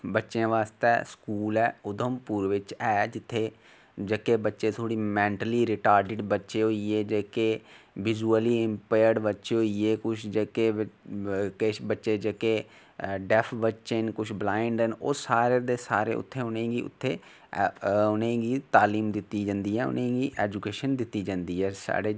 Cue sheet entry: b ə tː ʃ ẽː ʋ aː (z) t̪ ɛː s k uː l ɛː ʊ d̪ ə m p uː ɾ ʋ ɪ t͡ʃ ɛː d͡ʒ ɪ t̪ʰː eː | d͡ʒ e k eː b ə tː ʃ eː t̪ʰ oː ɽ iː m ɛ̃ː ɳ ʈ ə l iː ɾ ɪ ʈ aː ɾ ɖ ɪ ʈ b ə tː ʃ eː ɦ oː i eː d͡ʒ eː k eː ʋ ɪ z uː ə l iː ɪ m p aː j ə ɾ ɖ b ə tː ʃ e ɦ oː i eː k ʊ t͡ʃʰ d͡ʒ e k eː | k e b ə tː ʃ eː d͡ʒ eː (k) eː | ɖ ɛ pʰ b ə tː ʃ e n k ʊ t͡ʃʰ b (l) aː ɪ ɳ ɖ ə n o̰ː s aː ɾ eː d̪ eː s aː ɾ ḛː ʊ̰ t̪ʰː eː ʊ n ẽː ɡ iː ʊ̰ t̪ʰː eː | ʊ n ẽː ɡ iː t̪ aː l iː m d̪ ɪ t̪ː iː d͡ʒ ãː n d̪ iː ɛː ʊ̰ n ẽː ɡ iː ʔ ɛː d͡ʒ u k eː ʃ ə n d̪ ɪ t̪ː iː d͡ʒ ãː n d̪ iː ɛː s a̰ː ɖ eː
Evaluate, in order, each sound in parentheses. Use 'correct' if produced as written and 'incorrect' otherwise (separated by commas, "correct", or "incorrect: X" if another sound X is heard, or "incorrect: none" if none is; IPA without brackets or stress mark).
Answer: incorrect: s, correct, correct